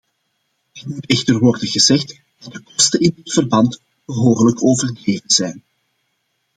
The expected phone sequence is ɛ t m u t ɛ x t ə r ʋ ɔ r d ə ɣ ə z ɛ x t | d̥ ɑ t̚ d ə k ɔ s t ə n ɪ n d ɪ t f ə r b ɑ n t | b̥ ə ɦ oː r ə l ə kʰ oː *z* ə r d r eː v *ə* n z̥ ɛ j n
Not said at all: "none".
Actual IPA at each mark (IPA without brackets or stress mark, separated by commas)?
v, ə